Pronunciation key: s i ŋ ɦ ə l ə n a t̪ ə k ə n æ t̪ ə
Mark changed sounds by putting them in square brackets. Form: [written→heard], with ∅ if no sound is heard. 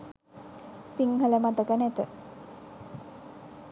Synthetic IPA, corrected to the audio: s i ŋ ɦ ə l ə [n→m] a t̪ ə k ə n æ t̪ ə